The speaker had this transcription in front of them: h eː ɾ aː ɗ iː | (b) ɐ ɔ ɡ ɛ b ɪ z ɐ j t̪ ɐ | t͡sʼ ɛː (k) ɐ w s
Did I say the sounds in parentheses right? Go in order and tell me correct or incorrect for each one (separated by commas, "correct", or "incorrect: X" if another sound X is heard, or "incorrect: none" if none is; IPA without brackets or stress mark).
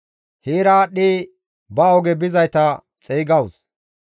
correct, incorrect: ɡ